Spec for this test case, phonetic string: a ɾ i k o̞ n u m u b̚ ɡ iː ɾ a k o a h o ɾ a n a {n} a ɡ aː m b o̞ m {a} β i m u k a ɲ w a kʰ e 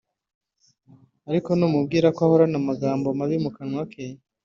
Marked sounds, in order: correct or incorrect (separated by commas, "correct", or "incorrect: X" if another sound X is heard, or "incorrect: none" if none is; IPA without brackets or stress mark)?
incorrect: m, correct